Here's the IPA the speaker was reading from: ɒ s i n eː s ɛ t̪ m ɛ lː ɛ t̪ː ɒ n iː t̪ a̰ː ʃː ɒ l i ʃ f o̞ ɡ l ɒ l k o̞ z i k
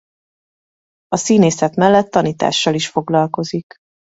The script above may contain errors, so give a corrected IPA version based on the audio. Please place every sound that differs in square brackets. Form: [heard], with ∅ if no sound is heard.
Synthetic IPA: ɒ s [iː] n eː s ɛ t̪ m ɛ lː ɛ t̪ː ɒ n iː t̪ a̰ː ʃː ɒ l i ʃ f o̞ ɡ l ɒ l k o̞ z i k